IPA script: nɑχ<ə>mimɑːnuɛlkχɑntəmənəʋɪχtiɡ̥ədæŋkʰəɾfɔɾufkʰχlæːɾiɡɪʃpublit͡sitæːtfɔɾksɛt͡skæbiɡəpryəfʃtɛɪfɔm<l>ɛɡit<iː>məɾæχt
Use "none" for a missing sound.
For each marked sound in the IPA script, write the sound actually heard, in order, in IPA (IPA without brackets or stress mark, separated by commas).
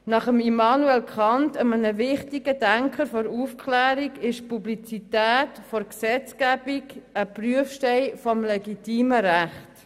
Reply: ə, l, iː